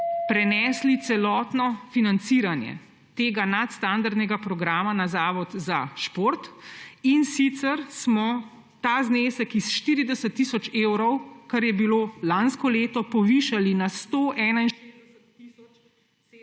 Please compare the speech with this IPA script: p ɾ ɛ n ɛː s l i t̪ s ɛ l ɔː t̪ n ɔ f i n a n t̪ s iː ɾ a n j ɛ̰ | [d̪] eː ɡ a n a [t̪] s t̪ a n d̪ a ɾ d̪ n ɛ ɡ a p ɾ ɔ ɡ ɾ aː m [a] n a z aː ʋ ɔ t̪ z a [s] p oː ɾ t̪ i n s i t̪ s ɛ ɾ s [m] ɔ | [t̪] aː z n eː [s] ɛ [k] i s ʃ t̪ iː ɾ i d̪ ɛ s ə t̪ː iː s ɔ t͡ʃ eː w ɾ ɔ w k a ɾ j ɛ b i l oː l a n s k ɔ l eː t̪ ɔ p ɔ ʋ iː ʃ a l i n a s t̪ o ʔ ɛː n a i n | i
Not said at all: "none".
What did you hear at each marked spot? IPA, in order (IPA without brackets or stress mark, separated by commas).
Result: t̪, t̪, a, ʃ, m, t̪, s, k